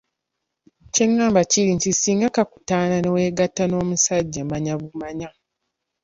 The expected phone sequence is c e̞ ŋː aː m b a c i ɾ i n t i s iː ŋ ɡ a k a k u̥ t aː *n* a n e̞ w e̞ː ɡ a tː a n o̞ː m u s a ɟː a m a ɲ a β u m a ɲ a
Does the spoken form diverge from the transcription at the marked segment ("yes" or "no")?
no